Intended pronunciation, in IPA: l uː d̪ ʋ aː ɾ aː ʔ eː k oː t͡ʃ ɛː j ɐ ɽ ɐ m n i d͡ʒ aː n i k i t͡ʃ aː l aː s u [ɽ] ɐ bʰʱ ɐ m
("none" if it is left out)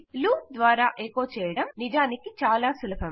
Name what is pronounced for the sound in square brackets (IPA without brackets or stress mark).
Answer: l